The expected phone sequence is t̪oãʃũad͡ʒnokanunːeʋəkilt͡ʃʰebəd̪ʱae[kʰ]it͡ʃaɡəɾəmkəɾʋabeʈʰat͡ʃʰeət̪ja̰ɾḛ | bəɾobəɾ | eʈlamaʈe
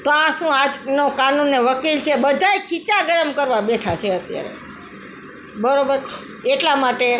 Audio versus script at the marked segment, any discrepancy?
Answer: no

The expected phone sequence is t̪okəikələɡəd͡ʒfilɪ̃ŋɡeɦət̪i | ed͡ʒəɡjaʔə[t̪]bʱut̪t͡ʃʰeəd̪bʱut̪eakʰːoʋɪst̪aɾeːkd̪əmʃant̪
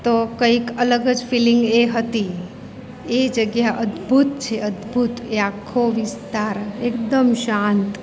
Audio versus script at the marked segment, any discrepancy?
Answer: yes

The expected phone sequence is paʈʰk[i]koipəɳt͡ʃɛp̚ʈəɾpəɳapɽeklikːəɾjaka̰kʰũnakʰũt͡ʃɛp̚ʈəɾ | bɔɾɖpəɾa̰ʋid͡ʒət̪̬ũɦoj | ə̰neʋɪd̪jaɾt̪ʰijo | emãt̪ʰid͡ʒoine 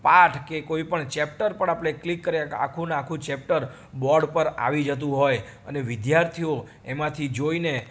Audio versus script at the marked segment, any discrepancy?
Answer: yes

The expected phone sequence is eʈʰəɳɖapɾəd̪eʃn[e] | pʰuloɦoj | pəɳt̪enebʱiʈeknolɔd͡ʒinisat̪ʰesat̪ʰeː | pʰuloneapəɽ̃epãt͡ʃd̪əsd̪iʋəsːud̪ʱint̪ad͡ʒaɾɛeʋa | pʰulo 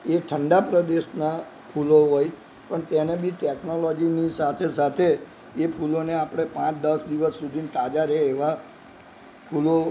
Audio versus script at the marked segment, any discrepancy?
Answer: yes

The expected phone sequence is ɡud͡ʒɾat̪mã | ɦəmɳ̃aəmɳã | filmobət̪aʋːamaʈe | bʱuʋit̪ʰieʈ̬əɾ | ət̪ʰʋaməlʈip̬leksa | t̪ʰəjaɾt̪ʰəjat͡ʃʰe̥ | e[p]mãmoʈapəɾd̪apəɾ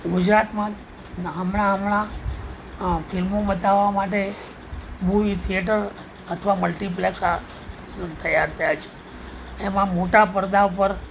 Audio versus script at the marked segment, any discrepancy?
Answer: yes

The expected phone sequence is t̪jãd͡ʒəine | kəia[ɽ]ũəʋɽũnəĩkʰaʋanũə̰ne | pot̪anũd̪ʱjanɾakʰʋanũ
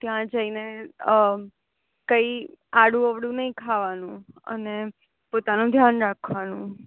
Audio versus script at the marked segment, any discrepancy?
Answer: no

